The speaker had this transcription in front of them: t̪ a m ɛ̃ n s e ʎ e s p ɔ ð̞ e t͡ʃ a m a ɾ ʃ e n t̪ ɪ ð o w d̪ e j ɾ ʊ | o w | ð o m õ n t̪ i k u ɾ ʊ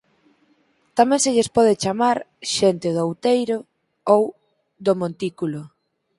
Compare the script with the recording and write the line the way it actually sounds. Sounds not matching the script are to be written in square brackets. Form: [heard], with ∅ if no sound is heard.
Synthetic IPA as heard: t̪ a m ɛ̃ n s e ʎ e s p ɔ ð̞ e t͡ʃ a m a ɾ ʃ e n t̪ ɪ ð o w [t̪] e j ɾ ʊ | o w | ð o m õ n t̪ i k u [l] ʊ